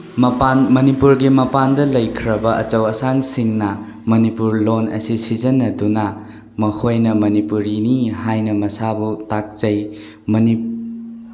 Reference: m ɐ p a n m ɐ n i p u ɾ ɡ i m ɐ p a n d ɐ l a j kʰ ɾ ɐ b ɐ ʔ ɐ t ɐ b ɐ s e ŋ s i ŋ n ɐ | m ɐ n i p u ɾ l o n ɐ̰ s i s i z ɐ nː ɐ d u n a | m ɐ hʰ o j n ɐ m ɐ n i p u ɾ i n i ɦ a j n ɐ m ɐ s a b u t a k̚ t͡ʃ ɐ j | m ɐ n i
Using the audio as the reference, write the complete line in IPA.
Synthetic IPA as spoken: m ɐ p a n m ɐ n i p u ɾ ɡ i m ɐ p a n d ɐ l ɐ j kʰ ɾ ɐ b ɐ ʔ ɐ t͡ʃ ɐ w ɐ s a ŋ s i ŋ n ɐ | m ɐ n i p u ɾ l o n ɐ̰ s i s i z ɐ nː ɐ d u n a | m ɐ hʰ o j n ɐ m ɐ n i p u ɾ i n i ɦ a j n ɐ m ɐ s a b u t a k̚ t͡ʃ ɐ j | m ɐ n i